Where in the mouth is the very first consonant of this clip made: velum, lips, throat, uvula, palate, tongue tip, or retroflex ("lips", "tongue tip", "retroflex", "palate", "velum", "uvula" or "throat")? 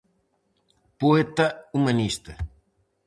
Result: lips